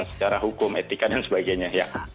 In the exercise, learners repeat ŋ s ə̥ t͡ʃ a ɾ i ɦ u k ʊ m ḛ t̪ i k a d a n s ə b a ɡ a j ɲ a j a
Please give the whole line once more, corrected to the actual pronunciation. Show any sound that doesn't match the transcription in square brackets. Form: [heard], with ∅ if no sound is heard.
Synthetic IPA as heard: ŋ s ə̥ t͡ʃ a ɾ [a] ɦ u k ʊ m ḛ t̪ i k a d a n s ə b a ɡ a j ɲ a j a